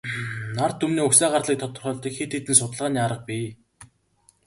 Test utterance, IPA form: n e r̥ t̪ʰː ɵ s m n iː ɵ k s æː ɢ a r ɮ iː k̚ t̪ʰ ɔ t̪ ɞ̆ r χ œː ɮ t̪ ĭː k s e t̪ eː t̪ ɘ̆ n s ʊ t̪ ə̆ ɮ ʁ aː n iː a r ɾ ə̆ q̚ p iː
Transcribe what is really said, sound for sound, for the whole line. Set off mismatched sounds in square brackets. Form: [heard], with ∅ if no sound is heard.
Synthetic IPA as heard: n [a] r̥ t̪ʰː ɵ [∅] m n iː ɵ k s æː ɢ a r ɮ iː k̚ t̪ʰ ɔ t̪ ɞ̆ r χ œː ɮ t̪ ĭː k [x] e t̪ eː t̪ ɘ̆ n s ʊ t̪ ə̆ ɮ ʁ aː n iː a [∅] ɾ ə̆ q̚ p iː